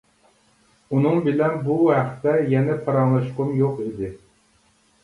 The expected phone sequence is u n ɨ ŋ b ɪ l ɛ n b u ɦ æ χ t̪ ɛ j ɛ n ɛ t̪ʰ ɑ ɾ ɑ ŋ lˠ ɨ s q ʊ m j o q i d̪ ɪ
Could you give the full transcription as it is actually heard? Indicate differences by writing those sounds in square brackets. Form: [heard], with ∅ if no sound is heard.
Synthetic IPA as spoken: u n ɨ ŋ b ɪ l ɛ n b u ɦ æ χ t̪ ɛ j ɛ n ɛ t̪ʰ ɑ ɾ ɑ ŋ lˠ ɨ [ʃ] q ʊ m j o q i d̪ ɪ